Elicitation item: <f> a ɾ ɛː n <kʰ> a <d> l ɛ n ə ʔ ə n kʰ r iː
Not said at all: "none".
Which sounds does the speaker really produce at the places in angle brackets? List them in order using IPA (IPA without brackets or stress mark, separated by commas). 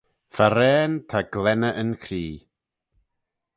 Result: f, tʰ, ɡ